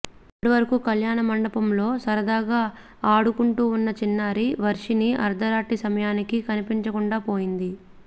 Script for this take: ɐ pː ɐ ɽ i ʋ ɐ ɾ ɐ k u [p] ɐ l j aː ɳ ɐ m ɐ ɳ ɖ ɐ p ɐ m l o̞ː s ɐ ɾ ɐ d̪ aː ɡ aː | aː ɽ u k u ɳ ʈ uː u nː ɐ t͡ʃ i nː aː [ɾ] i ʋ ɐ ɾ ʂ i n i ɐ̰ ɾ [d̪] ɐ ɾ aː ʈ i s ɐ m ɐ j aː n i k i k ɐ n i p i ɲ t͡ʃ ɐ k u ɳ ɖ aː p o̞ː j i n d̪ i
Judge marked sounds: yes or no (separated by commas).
no, yes, yes